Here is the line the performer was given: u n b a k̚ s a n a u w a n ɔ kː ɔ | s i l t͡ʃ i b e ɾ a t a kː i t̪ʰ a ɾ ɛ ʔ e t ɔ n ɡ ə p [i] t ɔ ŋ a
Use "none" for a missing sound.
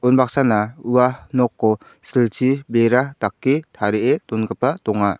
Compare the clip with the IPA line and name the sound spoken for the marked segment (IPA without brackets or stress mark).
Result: a